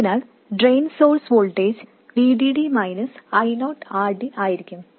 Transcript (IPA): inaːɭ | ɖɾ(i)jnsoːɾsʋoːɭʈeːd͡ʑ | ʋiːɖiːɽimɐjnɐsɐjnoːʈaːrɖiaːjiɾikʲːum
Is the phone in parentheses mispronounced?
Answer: yes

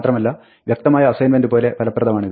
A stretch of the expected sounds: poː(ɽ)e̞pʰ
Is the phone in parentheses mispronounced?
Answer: yes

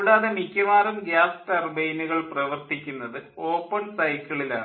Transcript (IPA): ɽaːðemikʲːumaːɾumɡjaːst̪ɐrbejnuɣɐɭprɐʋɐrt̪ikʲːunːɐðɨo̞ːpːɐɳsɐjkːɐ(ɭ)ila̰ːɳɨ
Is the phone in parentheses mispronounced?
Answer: no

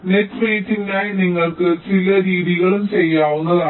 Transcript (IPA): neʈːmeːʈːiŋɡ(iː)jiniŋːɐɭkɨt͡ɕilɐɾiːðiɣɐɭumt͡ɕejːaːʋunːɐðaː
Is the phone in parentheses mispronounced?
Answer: yes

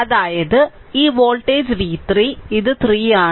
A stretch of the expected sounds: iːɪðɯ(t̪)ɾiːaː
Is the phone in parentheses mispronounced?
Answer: no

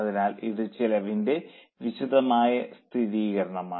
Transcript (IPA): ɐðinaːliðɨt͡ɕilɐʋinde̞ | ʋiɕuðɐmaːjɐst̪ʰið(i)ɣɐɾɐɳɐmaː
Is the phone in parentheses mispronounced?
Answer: yes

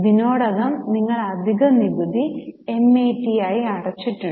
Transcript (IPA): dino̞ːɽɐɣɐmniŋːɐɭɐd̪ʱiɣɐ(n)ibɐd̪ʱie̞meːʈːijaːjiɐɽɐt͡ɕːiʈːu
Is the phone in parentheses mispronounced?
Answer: no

